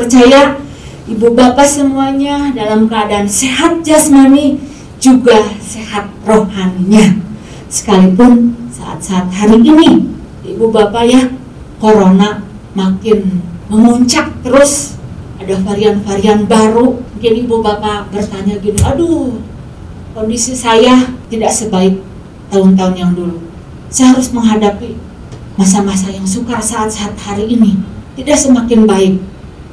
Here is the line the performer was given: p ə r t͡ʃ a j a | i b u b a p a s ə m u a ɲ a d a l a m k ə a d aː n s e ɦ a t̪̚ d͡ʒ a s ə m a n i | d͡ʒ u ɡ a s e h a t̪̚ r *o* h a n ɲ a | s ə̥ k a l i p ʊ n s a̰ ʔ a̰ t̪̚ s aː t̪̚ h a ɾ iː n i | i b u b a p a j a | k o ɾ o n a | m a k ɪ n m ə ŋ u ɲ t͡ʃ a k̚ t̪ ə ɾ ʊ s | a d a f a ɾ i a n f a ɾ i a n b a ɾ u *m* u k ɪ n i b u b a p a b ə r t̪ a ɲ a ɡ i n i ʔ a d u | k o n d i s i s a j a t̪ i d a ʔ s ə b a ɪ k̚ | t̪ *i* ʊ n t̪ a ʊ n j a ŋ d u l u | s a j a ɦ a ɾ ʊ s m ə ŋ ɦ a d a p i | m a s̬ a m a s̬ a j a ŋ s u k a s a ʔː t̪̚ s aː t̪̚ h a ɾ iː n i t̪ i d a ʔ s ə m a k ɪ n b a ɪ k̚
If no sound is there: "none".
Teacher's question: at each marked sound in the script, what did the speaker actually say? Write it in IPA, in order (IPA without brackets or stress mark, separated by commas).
o, m, a